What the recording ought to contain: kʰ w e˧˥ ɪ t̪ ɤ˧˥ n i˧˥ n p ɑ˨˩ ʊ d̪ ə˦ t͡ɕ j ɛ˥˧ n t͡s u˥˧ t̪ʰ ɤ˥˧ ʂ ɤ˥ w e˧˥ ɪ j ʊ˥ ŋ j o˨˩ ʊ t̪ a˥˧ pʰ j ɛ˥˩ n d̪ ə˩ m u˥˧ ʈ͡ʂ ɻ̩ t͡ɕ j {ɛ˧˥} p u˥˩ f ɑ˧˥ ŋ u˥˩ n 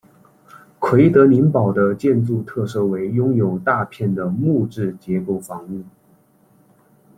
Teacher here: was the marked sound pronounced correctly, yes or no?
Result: yes